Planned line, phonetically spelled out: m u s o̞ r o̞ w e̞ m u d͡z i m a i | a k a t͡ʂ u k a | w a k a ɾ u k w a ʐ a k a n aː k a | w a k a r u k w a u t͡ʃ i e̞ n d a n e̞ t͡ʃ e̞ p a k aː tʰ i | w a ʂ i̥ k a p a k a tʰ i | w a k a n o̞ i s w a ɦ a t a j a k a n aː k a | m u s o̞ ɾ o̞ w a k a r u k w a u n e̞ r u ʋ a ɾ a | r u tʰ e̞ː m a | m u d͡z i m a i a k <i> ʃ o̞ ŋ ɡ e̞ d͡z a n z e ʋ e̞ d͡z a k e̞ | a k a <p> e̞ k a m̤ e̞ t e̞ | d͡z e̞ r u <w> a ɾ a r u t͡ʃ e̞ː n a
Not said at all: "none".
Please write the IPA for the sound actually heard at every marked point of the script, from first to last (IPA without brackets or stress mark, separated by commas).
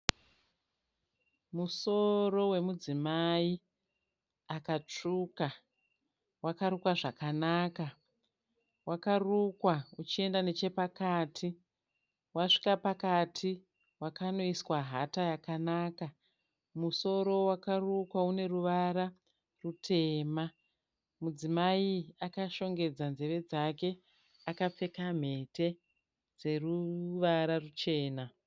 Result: a, p͡f, ʋ